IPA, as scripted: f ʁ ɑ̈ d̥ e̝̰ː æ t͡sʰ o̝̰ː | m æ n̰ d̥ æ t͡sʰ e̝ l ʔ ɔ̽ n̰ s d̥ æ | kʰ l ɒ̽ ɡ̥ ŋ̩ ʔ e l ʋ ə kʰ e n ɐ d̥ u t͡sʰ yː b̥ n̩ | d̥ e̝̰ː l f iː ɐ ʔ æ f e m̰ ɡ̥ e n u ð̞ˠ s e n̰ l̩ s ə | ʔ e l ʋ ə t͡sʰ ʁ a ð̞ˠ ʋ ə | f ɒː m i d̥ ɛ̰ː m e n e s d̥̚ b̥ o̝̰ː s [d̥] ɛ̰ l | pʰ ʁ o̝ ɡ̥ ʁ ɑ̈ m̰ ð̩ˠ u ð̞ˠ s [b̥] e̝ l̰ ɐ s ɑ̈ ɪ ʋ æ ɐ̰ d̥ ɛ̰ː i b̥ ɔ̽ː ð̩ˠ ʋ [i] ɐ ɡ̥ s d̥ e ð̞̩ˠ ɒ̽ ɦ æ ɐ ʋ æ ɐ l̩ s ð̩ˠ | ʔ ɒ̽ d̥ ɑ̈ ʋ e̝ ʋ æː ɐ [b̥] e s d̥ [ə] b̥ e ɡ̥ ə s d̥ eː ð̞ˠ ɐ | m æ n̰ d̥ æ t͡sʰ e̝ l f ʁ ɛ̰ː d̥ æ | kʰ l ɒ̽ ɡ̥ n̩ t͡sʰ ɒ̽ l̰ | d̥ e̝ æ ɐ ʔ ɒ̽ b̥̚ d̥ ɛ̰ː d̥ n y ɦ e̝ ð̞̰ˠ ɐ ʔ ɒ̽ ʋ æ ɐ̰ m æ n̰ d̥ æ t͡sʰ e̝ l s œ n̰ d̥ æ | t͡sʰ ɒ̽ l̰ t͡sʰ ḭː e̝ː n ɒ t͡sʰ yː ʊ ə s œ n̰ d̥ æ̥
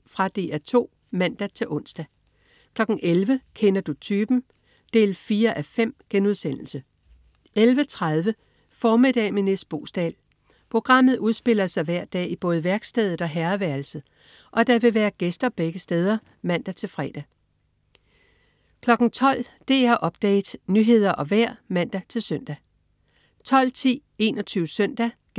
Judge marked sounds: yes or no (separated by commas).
yes, yes, no, no, no